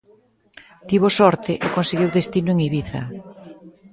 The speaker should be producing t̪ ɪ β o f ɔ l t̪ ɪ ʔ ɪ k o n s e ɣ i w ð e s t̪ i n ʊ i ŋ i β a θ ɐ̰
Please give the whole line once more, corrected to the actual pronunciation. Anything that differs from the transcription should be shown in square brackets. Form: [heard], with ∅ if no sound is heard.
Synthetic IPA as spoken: t̪ [i] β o [s] ɔ [ɾ] t̪ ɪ ʔ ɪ k o n s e ɣ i w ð e s t̪ i n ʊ [e] ŋ i β [i] θ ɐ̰